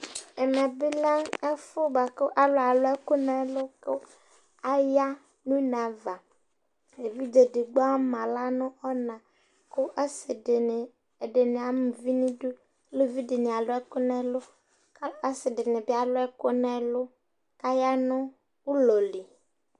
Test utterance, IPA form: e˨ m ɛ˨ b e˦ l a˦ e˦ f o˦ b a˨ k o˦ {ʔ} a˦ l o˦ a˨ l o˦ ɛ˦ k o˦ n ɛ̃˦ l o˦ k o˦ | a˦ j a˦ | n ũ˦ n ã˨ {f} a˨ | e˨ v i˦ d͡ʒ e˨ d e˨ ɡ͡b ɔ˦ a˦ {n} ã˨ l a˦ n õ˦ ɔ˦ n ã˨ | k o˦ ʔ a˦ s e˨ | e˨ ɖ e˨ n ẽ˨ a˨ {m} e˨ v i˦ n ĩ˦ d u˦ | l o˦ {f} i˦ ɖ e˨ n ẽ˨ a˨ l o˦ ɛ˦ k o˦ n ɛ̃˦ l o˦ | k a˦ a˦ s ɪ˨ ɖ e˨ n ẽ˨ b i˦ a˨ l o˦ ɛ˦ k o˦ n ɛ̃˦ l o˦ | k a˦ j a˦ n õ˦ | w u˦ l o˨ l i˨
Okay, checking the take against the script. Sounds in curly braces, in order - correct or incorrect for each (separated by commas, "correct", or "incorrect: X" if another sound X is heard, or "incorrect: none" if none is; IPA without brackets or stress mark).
correct, incorrect: v, incorrect: m, correct, incorrect: v